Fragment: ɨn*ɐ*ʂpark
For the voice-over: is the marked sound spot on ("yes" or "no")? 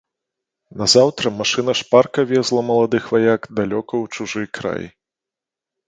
yes